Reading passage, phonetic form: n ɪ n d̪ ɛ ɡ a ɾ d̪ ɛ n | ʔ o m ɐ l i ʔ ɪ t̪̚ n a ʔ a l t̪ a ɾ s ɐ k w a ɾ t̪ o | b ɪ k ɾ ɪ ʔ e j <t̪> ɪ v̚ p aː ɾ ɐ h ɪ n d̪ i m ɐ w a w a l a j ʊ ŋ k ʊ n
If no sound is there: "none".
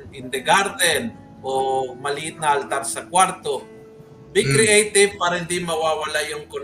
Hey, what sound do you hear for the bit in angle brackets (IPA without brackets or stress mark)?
t̪